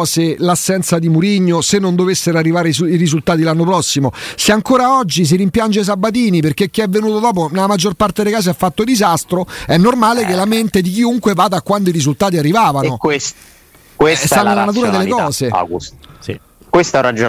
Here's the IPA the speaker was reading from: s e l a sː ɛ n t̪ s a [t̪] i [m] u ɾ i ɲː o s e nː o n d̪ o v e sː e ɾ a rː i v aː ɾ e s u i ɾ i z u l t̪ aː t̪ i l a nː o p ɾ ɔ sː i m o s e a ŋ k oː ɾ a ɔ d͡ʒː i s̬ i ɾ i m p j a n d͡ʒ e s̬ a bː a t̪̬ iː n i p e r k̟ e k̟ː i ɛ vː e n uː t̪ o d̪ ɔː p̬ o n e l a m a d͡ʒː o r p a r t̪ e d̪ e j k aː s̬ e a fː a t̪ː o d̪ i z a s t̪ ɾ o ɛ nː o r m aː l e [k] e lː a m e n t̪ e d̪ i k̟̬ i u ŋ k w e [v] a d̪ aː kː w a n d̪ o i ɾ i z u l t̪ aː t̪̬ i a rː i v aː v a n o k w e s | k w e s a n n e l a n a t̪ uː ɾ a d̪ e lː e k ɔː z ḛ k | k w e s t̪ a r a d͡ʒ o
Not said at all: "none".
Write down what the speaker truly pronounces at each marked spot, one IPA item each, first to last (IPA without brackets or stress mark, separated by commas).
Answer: d̪, m, k, v